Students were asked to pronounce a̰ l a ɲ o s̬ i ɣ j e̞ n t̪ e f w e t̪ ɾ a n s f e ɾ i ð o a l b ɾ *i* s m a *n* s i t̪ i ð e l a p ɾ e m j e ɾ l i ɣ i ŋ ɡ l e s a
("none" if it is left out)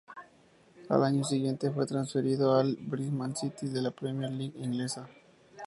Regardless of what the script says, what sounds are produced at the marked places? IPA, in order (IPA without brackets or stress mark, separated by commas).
i, n